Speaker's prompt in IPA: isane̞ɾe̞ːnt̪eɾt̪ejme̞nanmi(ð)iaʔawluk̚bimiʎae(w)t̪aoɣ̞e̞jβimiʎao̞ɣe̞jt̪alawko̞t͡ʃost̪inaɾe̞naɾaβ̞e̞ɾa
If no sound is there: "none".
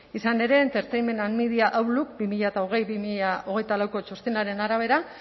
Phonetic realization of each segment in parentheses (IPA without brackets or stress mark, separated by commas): ð, none